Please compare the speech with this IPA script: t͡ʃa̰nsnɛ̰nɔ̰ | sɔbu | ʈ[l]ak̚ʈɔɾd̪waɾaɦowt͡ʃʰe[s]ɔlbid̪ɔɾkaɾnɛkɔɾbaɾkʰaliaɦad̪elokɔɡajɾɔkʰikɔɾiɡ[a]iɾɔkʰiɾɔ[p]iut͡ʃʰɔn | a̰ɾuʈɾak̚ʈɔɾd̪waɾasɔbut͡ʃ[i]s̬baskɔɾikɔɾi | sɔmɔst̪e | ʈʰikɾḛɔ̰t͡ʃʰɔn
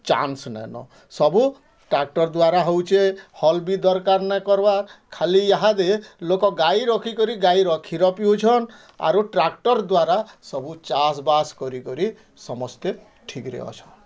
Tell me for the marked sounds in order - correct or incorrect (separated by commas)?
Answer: incorrect, incorrect, correct, correct, incorrect